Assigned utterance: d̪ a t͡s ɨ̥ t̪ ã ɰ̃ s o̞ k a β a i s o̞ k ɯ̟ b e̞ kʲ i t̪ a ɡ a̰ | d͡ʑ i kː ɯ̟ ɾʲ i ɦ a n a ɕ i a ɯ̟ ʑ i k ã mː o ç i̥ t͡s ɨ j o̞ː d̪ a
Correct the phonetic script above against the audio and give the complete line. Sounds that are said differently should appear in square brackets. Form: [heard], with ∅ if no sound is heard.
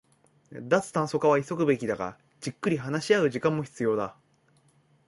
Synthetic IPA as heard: d̪ a t͡s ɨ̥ t̪ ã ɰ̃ s o̞ k a β a i s o̞ k ɯ̟ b e̞ kʲ i [d̪] a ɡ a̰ | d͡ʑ i kː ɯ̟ ɾʲ i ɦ a n a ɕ i a ɯ̟ ʑ i k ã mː o ç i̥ t͡s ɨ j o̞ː d̪ a